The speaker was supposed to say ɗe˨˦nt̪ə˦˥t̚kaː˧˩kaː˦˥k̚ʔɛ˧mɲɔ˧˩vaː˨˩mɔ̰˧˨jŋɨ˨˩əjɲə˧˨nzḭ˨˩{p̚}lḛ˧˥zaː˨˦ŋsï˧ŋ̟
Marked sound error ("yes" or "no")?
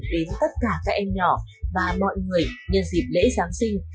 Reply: no